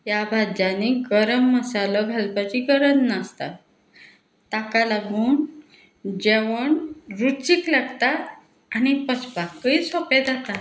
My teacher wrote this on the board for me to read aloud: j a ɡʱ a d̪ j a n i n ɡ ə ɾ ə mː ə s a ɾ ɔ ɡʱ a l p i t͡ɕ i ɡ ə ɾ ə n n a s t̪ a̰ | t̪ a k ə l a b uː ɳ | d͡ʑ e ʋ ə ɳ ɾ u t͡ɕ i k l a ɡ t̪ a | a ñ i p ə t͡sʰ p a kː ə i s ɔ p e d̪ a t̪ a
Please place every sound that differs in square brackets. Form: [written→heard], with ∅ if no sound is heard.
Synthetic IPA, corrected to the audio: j a [ɡʱ→bʱ] a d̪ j a n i [n→∅] ɡ ə ɾ ə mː ə s a [ɾ→l] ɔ ɡʱ a l p [i→a] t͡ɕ i ɡ ə ɾ ə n n a s t̪ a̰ | t̪ a k [ə→a] l a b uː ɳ | d͡ʑ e ʋ ə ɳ ɾ u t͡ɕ i k l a ɡ t̪ a | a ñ i p ə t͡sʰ p a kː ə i s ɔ p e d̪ a t̪ a

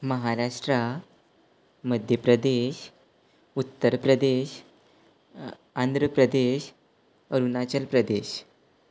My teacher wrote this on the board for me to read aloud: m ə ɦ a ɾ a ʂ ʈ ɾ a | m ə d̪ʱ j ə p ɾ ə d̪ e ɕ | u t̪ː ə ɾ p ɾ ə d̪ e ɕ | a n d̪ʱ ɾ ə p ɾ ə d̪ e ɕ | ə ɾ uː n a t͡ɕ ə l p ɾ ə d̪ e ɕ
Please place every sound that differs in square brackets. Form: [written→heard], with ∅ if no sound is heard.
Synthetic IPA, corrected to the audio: m ə ɦ a ɾ a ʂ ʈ ɾ a | m ə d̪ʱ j ə p ɾ ə d̪ e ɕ | u t̪ː ə ɾ p ɾ ə d̪ e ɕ | a n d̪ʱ ɾ ə p ɾ ə d̪ e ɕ | ə ɾ [uː→u] n a t͡ɕ ə l p ɾ ə d̪ e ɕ

